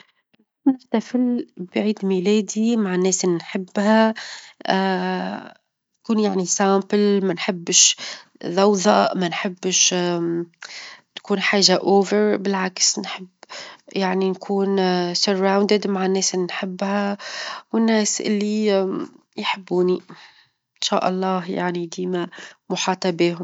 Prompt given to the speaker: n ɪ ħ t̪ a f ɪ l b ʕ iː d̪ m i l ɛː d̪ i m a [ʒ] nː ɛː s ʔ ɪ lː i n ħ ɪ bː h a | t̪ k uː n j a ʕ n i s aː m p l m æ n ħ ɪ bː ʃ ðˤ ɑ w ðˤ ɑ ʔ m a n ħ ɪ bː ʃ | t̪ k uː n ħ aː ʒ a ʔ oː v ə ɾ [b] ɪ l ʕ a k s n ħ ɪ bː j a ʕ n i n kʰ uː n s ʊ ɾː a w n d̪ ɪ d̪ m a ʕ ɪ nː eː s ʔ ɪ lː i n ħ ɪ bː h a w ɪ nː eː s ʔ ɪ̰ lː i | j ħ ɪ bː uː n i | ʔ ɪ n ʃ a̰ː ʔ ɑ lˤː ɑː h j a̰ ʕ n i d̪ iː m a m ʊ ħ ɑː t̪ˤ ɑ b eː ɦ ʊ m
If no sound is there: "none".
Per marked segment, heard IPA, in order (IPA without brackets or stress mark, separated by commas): ʕ, b